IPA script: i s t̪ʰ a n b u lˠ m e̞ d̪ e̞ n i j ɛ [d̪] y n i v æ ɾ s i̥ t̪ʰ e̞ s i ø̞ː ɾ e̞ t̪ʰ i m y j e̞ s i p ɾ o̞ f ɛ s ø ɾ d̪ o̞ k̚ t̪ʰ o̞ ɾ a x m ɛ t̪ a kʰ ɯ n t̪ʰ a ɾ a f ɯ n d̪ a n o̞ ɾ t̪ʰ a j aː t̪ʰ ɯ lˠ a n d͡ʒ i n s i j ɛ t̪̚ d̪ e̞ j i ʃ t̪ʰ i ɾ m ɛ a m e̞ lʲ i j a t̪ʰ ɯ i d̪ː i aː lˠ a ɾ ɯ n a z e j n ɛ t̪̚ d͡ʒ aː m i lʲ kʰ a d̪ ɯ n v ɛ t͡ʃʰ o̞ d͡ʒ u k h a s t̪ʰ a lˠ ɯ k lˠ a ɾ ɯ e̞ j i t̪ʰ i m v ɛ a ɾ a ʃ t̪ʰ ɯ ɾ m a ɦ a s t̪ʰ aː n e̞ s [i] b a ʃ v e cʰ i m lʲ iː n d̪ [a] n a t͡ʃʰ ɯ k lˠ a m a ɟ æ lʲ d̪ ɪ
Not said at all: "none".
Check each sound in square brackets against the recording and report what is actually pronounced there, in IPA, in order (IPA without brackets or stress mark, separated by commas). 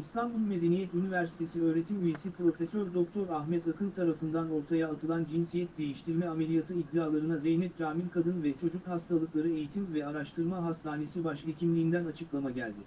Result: t̪, i, æ